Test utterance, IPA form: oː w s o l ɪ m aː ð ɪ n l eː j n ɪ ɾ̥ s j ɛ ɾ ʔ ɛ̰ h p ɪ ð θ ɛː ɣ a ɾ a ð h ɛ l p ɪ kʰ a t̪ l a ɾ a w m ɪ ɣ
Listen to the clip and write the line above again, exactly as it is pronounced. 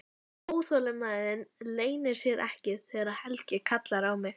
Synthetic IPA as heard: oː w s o l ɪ m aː ð ɪ n l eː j n ɪ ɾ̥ s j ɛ ɾ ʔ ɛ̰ h c ɪ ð θ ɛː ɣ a ɾ a ð h ɛ l c ɪ kʰ a t̪ l a ɾ a w m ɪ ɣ